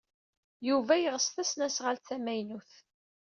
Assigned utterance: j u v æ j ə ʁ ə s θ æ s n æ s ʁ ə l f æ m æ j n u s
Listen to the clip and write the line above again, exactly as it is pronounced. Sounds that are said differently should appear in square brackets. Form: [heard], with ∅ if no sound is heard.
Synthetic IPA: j u v æ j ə ʁ ə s θ æ s n æ s ʁ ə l [θ] æ m æ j n u [θ]